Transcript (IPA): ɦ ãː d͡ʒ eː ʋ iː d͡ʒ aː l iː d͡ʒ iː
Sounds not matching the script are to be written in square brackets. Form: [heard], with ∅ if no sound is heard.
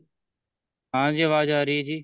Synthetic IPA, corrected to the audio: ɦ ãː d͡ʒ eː ʋ [aː] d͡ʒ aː [ɾ] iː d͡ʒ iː